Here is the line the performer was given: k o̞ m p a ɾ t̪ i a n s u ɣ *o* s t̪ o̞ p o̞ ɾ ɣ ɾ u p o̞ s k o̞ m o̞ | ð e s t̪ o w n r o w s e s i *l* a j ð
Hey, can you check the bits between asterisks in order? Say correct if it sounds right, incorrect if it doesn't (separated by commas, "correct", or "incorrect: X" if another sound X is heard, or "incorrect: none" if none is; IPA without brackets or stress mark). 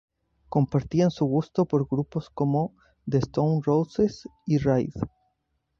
incorrect: u, incorrect: r